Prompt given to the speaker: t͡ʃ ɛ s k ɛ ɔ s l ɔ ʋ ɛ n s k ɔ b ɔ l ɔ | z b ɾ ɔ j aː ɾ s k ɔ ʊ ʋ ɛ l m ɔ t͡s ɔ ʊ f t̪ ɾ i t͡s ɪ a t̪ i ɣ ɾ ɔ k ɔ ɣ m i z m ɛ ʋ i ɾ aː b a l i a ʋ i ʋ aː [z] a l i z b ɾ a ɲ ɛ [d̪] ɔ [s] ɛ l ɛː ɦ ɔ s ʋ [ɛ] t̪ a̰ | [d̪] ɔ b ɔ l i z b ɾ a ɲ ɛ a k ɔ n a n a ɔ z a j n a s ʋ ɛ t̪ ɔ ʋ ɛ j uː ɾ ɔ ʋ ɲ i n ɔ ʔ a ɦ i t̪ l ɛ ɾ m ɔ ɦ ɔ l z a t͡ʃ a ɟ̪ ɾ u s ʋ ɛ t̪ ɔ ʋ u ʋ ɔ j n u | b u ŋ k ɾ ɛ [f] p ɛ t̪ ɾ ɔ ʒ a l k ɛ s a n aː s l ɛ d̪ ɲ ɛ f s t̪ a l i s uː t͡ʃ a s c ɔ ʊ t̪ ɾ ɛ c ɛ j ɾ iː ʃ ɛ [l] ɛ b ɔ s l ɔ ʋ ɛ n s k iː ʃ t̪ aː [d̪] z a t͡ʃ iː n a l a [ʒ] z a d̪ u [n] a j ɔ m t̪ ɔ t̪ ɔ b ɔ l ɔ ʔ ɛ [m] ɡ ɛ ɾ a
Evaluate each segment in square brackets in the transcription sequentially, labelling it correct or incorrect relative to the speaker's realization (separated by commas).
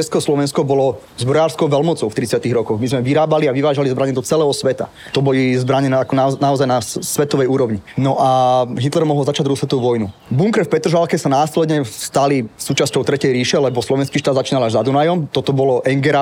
incorrect, correct, incorrect, correct, incorrect, correct, correct, correct, correct, correct, incorrect